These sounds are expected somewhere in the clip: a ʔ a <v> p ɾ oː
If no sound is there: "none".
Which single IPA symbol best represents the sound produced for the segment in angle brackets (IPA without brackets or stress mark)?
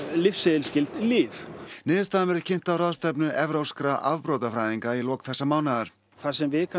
v